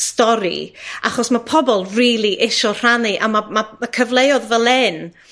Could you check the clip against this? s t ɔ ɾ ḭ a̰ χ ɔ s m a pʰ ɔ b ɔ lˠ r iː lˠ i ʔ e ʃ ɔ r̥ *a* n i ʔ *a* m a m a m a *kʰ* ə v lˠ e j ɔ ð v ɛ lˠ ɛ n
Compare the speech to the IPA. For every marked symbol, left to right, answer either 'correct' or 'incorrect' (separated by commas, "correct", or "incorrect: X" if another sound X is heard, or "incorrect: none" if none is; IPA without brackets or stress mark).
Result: correct, correct, correct